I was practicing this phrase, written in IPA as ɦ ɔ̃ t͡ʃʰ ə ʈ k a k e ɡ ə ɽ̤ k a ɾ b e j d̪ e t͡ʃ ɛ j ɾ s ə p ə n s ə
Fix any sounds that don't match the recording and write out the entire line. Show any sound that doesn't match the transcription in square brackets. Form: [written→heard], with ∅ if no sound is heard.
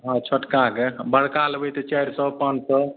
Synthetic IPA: ɦ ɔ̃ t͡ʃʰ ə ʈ k a k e [ɡ→b] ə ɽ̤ k a [ɾ→l] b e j [d̪→t̪] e t͡ʃ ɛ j ɾ s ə p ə n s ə

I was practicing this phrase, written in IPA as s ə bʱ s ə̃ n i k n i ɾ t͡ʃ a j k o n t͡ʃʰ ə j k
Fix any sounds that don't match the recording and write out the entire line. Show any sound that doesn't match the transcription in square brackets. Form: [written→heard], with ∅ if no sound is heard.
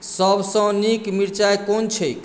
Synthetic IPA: s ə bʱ s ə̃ n i k [n→m] i ɾ t͡ʃ a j k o n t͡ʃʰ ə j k

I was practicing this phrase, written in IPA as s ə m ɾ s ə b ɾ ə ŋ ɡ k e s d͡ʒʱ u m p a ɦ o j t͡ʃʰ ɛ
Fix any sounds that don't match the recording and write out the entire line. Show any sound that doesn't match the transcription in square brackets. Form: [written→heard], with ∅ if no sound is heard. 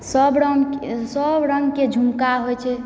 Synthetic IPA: s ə [m→b] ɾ s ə b ɾ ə ŋ ɡ k e [s→∅] d͡ʒʱ u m [p→k] a ɦ o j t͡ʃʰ ɛ

